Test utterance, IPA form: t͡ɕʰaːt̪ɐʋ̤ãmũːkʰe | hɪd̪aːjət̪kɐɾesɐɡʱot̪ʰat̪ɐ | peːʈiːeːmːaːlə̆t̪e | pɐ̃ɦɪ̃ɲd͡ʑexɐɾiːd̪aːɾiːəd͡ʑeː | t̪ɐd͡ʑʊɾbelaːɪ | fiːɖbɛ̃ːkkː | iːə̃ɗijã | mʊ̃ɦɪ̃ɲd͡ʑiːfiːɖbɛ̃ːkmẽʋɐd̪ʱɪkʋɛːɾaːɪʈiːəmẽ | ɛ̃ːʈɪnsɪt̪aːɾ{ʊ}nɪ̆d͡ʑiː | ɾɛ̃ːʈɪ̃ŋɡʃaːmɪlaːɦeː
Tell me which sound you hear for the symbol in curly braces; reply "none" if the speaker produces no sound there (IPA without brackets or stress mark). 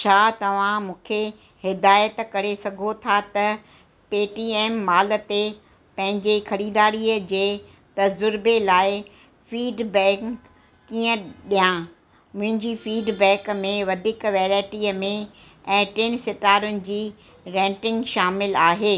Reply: ʊ